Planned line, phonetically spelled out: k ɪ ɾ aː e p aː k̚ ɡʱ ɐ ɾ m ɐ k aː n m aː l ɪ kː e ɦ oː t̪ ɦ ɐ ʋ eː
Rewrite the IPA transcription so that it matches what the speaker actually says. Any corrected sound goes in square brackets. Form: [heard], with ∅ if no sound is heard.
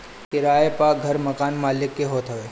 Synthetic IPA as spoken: k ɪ ɾ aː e p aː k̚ ɡʱ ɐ ɾ m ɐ k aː n m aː l ɪ kː e ɦ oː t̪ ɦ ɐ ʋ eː